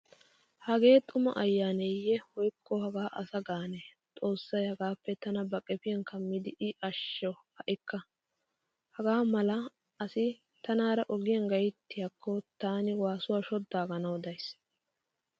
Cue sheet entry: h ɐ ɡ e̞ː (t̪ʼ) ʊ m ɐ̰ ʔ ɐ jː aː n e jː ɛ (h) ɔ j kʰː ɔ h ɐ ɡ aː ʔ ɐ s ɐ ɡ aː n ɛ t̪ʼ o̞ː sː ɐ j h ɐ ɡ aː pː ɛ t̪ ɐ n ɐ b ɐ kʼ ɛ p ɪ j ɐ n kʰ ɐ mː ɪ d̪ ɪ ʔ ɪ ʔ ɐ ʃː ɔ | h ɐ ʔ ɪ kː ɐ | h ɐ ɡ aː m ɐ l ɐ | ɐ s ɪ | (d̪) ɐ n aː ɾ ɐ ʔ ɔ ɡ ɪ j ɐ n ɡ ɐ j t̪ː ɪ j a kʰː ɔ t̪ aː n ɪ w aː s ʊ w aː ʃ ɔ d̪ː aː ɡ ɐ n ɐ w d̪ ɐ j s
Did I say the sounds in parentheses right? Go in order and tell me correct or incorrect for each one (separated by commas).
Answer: correct, correct, incorrect